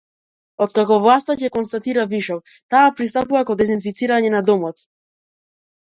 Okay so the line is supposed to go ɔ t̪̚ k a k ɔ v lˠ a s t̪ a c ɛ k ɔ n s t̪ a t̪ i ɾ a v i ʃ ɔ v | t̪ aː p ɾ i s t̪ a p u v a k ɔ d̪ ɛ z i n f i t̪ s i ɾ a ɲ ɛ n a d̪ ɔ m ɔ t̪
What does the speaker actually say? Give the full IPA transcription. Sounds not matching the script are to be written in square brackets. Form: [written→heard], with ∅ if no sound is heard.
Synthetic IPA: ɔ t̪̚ k a k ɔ v lˠ a s t̪ a c ɛ k ɔ n s t̪ a t̪ i ɾ a v i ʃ ɔ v | t̪ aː p ɾ i s t̪ a p u v a k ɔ d̪ ɛ z i n f i t̪ s i ɾ a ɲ ɛ n a d̪ ɔ m ɔ t̪